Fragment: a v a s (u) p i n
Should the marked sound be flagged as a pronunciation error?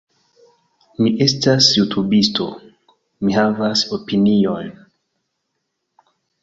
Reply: yes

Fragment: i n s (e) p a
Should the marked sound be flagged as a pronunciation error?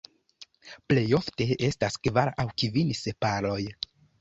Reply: no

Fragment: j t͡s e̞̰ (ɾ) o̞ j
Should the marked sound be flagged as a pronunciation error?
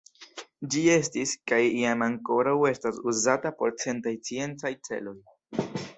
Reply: yes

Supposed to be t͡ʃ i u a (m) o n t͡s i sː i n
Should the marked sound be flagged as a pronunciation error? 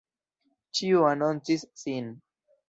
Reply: yes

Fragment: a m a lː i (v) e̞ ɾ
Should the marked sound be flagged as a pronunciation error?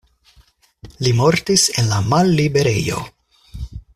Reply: yes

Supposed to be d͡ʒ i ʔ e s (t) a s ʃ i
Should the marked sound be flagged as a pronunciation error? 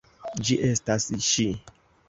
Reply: no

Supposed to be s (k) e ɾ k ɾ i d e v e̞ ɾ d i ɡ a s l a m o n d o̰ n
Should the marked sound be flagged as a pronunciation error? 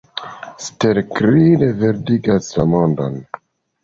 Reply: yes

